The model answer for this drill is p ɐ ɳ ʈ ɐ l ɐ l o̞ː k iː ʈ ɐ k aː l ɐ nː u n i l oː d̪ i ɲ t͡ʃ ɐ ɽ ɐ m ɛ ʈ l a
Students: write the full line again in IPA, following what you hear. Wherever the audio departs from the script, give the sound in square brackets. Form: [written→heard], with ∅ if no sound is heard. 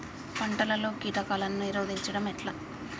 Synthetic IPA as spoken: p ɐ ɳ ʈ ɐ l ɐ l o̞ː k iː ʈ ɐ k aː l ɐ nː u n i [l→ɾ] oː d̪ i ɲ t͡ʃ ɐ ɽ ɐ m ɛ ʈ l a